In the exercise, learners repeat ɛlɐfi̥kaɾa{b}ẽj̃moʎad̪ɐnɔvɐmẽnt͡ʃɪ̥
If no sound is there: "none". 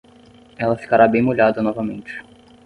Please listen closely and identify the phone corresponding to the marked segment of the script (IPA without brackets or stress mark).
b